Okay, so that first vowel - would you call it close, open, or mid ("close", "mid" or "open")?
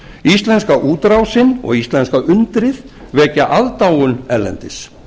close